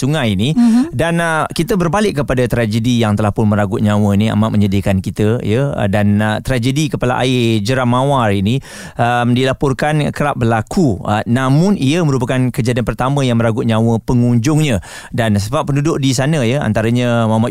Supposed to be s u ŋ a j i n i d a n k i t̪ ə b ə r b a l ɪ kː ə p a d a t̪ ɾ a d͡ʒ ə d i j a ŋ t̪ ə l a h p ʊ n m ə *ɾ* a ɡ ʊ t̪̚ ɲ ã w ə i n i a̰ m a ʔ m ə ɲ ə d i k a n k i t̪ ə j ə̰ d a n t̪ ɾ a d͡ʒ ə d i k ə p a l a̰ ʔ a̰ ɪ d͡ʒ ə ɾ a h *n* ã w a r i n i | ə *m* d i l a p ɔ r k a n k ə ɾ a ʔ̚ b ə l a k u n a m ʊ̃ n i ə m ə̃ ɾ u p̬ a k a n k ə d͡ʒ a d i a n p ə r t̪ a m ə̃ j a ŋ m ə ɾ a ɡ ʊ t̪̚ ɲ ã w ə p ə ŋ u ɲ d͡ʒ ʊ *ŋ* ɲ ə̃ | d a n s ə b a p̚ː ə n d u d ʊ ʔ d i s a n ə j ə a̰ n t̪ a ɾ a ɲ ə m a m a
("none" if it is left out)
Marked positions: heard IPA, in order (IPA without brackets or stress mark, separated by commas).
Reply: ɾ, m, m, ŋ